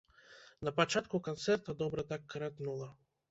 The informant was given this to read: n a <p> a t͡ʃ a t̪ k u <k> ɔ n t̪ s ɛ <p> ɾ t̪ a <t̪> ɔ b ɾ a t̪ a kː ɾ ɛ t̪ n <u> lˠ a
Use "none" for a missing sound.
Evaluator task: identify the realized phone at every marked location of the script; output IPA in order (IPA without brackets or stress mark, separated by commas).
p, k, none, d̪, u